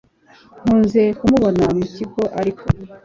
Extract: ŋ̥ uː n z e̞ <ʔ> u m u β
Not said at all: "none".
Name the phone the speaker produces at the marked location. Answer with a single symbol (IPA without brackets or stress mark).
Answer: k